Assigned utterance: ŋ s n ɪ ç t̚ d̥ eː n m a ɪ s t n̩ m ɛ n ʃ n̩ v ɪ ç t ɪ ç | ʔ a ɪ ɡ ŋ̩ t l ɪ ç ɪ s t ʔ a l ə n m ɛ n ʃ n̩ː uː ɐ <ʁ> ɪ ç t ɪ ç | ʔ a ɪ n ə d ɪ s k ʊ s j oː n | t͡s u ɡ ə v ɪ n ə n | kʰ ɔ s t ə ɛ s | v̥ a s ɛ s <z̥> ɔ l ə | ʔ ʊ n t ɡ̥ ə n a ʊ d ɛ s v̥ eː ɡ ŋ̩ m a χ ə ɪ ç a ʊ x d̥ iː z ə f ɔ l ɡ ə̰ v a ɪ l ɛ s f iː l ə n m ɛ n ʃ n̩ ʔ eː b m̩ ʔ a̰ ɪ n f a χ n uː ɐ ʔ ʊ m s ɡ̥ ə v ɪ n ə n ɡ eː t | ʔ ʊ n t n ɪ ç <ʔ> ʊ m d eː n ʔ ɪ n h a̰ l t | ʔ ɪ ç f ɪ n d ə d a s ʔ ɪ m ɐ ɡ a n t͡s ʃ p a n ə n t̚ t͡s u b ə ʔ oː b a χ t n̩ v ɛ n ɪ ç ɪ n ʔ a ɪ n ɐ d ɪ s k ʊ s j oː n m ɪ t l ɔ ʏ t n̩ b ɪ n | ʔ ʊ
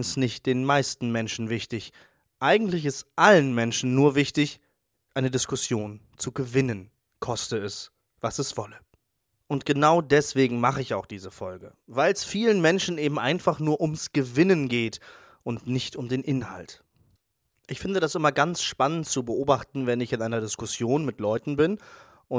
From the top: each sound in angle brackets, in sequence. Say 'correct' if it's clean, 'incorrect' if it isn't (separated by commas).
incorrect, incorrect, incorrect